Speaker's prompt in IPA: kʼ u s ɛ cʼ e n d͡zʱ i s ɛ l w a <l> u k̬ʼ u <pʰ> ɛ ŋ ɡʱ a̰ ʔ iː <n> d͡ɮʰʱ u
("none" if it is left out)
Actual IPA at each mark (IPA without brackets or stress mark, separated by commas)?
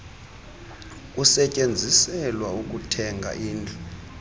none, tʰ, n